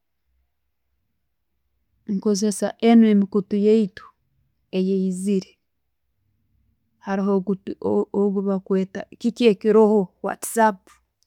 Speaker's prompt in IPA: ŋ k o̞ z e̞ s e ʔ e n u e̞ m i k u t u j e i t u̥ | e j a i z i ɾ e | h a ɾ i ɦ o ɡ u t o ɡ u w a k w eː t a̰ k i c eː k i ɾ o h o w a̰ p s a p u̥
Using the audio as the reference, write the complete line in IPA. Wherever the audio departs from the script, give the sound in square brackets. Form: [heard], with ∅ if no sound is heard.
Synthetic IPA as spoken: ŋ k o̞ z e̞ s [a] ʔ e n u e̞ m i k u t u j e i t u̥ | e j [e] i z i ɾ e | h a ɾ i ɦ o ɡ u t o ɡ u [β] a k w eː t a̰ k i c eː k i ɾ o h o w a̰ [t] s a p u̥